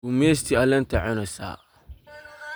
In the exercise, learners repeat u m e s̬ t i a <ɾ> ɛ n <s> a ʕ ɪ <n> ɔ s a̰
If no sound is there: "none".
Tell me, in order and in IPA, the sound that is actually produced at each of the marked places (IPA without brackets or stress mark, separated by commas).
l, t, n